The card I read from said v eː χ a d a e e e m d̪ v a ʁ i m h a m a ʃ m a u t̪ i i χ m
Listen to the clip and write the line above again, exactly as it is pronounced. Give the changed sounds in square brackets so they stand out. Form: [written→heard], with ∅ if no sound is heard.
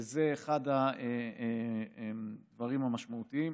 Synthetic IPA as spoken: [v→z] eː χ a d a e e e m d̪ v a ʁ i m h a m a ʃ m a u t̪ i i [χ→∅] m

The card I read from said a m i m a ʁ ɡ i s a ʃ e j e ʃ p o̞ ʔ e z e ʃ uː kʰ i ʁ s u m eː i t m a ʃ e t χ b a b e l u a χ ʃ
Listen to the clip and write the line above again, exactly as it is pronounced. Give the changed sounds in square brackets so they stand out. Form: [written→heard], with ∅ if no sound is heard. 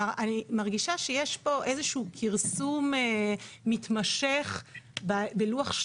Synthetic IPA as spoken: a [m→n] i m a ʁ ɡ i [s→ʃ] a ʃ e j e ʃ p o̞ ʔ e z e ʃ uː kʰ i ʁ s u m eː i t m a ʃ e [t→∅] χ b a b e l u a χ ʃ

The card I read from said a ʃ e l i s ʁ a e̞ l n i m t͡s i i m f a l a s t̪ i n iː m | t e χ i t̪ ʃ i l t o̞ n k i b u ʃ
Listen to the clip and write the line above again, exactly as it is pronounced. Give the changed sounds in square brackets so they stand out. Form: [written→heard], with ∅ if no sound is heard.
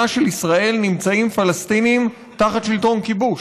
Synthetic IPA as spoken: a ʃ e l i s ʁ a e̞ l n i m t͡s [i→a] i m f a l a s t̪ i n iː m | t [e→a] χ [i→a] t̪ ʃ i l t o̞ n k i b u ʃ

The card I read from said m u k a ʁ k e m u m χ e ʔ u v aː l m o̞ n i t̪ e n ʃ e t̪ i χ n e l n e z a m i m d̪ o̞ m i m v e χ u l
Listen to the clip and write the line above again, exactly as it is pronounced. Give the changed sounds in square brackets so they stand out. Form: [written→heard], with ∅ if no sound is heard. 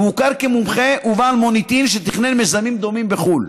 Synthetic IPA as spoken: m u k a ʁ k e m u m χ e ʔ u v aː l m o̞ n i t̪ [e→i] n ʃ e t̪ i χ n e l [n→m] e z a m i m d̪ o̞ m i m [v→b] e χ u l

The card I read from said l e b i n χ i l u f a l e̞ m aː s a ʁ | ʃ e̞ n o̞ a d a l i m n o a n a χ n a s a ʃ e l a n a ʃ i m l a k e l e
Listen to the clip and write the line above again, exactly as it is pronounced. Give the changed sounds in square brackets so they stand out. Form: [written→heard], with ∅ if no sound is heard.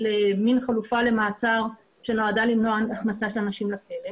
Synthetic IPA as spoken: l e [b→m] i n χ [i→a] l u f a l e̞ m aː [s→t͡s] a ʁ | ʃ e̞ n o̞ a d a l i m n o a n a χ n a s a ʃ e l a n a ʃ i m l a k e l e

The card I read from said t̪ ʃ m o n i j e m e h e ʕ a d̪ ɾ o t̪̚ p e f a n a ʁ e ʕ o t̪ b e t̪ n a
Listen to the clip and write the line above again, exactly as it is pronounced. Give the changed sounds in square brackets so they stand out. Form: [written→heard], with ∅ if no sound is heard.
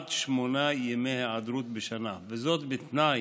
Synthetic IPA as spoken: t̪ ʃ m o n [i→a] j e m e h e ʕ a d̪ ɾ [o→u] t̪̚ [p→b] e [f→ʃ] a n a [ʁ→v] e [ʕ→z] o t̪ b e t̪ n a

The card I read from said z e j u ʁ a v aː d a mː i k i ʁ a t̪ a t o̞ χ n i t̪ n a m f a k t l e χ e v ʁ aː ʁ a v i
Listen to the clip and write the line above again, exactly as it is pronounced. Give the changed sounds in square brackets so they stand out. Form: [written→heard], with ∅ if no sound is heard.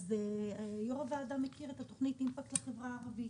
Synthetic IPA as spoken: z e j [u→o] ʁ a v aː d a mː [i→e] k i ʁ [a→e] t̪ a t o̞ χ n i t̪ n [a→i] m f a k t l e χ e v ʁ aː ʁ a v i

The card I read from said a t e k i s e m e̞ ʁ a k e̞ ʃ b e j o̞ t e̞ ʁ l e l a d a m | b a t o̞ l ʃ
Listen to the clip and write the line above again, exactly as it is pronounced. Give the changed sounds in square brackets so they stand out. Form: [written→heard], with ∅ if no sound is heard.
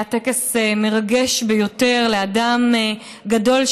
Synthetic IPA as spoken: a t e k [i→e] s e m e̞ ʁ a [k→ɡ] e̞ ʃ b e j o̞ t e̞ ʁ l e [l→∅] a d a m | [b→ɡ] a [t→d] o̞ l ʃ

